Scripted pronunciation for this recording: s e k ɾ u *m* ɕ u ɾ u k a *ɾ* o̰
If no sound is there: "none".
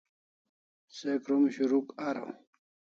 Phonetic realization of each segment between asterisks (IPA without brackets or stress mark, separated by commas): m, ɾ